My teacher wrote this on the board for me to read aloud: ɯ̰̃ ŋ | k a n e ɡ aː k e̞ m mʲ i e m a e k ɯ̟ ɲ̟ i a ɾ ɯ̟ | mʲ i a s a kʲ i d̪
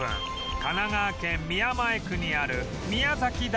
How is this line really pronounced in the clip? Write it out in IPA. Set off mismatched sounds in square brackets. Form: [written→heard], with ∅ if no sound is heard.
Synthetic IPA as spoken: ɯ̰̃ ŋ | k a n [e→a] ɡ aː k [e̞→ẽ̞] m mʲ i [e→a] m a e k ɯ̟ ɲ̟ i a ɾ ɯ̟ | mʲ i a [s→z] a kʲ i d̪